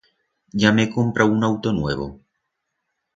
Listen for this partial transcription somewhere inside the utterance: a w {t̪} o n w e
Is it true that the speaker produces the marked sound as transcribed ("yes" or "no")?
yes